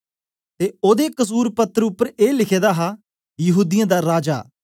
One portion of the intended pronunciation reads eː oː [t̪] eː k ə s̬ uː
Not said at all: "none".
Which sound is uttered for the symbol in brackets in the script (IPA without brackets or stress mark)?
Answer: d̪